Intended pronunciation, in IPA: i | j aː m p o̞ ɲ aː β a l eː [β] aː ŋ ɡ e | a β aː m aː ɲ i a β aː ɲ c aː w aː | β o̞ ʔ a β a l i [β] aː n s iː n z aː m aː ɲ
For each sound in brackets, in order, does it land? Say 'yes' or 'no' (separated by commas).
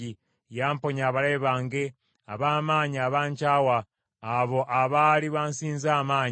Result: yes, yes